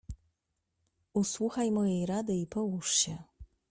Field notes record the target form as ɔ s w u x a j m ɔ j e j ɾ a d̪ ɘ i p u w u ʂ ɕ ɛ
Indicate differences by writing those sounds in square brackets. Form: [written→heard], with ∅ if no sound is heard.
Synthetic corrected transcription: [ɔ→u] s w u x a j m ɔ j e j ɾ a d̪ ɘ i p [u→ɔ] w u ʂ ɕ ɛ